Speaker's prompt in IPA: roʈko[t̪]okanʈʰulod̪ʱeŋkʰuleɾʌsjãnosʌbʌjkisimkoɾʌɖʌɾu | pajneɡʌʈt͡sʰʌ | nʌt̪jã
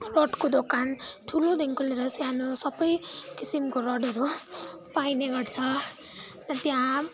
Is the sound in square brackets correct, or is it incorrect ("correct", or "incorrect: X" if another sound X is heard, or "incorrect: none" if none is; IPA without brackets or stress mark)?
incorrect: d̪